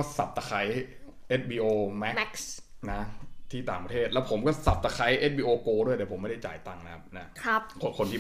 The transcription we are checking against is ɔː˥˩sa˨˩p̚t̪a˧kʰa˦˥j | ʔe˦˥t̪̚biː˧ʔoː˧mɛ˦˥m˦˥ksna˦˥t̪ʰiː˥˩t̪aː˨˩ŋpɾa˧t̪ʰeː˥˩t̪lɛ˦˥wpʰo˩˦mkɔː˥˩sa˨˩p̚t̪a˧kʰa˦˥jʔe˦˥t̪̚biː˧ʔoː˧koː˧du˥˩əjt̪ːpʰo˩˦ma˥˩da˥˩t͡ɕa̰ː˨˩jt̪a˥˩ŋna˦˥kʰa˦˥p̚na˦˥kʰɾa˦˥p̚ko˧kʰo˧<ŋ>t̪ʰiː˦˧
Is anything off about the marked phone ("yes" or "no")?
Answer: yes